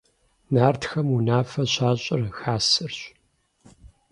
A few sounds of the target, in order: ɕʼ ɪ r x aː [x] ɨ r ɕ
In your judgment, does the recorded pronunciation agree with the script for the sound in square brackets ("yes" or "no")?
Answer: no